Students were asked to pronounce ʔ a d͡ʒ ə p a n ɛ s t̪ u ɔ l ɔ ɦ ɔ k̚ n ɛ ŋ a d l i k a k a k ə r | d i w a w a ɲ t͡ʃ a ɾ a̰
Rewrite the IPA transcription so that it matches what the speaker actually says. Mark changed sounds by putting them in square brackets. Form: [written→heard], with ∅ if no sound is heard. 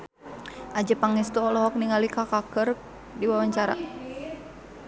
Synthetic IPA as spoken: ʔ a d͡ʒ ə p a [n→ŋ] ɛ s t̪ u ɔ l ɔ ɦ ɔ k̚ n [ɛ→i] ŋ a [d→∅] l i k a k a k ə r | d i w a w a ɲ t͡ʃ a ɾ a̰